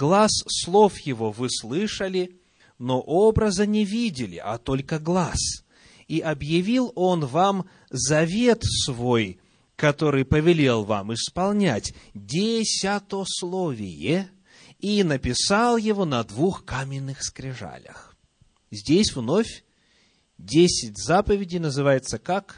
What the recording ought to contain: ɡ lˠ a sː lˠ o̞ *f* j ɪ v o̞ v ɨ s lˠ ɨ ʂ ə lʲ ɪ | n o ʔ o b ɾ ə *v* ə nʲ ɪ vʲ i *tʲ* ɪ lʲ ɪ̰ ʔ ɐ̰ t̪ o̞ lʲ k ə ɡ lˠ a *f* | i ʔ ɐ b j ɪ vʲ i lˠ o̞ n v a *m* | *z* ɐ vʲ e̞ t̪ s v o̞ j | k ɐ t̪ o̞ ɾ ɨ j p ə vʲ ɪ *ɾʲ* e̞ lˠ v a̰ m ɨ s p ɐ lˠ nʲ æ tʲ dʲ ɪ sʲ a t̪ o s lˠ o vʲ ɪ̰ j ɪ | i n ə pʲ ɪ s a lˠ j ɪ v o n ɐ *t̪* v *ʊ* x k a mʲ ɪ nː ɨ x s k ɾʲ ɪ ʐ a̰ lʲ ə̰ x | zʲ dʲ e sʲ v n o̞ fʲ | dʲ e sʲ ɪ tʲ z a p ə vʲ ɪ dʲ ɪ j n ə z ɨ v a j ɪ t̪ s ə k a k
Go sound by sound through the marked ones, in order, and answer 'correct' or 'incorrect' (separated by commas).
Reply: correct, incorrect, incorrect, incorrect, correct, correct, incorrect, incorrect, incorrect